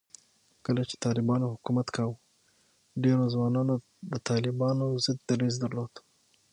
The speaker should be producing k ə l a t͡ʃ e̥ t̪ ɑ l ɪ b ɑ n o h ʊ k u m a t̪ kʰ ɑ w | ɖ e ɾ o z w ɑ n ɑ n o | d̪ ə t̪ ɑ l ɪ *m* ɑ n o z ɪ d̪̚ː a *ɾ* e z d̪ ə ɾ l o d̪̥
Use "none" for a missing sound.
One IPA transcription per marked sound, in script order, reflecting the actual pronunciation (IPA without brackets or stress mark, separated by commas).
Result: b, ɾ